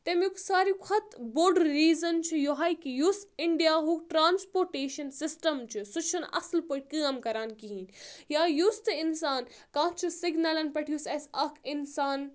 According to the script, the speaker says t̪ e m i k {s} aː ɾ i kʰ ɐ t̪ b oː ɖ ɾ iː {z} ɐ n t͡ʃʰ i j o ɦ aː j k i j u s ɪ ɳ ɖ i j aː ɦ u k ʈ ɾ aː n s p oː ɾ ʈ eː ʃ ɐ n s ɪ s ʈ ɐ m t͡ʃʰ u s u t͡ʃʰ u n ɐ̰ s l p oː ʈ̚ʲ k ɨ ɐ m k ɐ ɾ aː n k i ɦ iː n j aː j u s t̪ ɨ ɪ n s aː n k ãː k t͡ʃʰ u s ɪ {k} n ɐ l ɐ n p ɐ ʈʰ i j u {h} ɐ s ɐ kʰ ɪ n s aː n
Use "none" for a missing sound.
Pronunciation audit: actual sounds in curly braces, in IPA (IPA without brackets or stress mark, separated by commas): s, z, ɡ, s